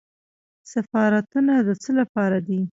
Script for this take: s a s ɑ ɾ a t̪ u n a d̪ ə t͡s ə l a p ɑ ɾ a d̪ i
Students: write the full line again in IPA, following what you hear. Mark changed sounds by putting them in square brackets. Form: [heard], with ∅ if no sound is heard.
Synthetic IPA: s a [f] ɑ ɾ a t̪ u n a d̪ ə t͡s ə l a p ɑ ɾ a d̪ i

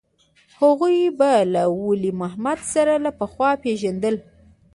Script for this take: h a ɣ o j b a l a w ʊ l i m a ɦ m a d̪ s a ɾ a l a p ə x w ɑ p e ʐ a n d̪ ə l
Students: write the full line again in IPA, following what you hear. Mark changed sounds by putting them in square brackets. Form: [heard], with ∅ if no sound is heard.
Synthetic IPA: h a ɣ [u] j b a l a w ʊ l i m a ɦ m a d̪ s a ɾ a l a p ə x w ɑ p e [ʒ] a n d̪ ə l

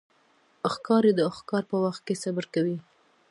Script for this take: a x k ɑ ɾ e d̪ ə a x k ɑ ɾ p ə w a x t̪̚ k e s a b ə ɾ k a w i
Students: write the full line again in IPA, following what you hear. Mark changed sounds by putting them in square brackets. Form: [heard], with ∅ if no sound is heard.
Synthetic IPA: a x k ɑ ɾ e d̪ ə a x k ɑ ɾ p ə w a x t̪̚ k e s a b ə ɾ k a w i

